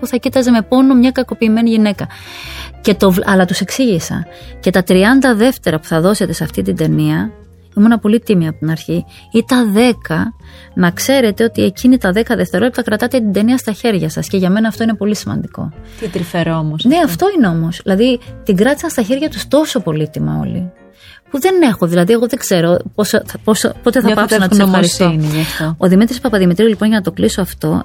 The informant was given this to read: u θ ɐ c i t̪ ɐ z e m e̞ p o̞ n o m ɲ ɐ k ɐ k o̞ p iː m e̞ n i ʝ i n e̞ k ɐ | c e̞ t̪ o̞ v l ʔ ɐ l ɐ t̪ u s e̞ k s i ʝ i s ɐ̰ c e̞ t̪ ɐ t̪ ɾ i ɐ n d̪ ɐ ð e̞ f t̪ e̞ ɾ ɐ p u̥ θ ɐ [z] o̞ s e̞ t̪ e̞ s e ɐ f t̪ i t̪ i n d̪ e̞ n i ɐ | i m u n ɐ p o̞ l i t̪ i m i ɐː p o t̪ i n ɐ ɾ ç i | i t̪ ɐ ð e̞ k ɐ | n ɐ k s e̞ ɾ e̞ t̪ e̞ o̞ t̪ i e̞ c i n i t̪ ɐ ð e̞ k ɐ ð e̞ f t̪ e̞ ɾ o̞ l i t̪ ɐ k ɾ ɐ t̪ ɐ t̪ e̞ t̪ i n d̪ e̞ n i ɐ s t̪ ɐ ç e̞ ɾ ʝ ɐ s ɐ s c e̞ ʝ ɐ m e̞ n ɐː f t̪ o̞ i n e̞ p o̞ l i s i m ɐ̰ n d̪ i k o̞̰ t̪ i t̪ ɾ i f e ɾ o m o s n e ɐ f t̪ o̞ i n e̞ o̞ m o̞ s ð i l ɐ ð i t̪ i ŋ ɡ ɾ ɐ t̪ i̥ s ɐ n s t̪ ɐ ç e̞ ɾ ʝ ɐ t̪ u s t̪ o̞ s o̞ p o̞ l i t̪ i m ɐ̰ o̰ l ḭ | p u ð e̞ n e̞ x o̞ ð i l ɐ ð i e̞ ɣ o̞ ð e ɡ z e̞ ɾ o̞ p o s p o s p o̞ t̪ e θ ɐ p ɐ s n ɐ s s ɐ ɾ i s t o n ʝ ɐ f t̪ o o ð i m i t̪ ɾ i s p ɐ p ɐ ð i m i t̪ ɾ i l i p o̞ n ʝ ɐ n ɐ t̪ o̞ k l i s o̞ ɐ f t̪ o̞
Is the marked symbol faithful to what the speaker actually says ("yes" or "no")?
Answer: no